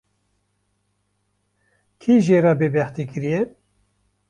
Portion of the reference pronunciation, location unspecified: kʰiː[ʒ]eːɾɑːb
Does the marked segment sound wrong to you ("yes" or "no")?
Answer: no